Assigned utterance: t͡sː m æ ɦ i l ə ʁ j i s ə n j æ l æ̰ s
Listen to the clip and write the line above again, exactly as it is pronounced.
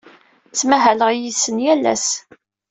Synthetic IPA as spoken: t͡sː m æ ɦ æ l ə ʁ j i s ə n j æ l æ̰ s